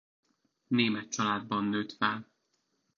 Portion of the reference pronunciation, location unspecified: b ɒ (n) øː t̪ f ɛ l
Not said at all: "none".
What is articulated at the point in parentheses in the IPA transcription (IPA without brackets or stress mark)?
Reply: nː